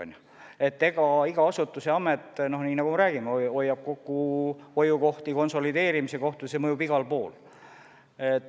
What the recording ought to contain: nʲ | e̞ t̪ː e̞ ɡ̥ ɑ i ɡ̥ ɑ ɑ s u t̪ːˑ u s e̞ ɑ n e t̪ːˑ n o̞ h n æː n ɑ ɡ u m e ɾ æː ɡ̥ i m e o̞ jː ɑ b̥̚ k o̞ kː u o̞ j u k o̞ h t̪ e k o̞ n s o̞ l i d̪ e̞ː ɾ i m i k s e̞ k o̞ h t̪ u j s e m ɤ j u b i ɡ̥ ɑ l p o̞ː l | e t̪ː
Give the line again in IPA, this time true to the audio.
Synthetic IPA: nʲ | e̞ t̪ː e̞ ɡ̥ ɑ i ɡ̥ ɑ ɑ s u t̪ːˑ u s e̞ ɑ m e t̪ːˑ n o̞ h n iː n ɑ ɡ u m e ɾ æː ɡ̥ i m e o̞ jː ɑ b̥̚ k o̞ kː u o̞ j u k o̞ h t̪ i k o̞ n s o̞ l i d̪ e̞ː ɾ i m i s e̞ k o̞ h t̪ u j s e m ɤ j u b i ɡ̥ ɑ l p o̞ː l | e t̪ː